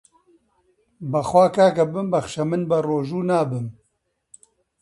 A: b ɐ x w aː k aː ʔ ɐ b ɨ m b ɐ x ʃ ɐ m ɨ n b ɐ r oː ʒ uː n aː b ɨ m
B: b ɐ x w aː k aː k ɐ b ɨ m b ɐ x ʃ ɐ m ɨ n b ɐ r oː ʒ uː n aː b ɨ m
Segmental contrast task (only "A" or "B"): B